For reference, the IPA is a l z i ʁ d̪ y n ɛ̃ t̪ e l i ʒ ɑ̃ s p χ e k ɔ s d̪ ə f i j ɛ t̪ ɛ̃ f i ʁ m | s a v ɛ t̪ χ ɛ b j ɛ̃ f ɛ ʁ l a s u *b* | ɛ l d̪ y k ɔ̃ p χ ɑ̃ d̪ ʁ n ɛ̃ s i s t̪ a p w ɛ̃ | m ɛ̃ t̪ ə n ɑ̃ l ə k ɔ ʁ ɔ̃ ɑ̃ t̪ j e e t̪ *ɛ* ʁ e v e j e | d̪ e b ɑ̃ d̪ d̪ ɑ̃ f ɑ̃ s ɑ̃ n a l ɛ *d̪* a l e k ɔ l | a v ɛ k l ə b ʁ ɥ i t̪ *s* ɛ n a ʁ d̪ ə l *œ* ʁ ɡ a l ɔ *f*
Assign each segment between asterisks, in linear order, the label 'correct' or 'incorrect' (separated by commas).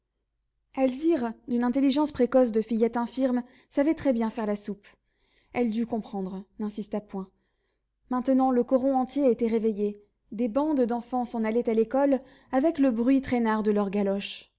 incorrect, correct, incorrect, incorrect, correct, incorrect